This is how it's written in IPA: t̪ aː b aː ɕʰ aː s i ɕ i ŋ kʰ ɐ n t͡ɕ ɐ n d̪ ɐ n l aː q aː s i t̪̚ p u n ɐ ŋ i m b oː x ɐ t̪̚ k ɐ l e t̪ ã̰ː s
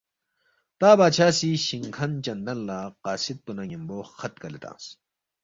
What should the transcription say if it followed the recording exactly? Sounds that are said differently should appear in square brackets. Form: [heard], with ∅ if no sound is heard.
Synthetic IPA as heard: t̪ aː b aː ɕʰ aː s i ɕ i ŋ kʰ ɐ n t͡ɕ ɐ n d̪ ɐ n l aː q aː s i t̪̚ p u n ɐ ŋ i m b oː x ɐ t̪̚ k ɐ l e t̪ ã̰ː s